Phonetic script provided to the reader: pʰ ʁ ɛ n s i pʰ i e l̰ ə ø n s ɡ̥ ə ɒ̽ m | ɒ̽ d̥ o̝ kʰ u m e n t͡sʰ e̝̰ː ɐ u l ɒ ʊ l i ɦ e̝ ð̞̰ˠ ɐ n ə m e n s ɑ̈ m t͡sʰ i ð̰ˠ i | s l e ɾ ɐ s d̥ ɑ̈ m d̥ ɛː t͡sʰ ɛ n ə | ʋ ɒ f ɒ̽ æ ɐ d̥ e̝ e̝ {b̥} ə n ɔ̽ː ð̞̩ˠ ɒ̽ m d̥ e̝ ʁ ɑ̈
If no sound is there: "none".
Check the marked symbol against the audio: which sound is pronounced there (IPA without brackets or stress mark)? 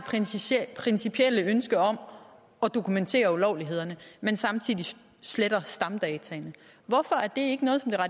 ɡ̥